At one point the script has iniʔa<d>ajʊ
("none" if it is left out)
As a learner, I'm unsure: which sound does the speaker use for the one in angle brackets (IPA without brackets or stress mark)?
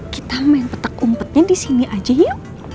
d͡ʒ